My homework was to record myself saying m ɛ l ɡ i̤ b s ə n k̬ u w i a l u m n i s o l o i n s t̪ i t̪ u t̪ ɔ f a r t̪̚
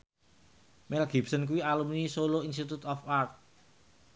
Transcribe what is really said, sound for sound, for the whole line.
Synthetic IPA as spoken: m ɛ l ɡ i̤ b s ə n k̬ u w i a l u m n i s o l o i n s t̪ i t̪ u t̪ ɔ f a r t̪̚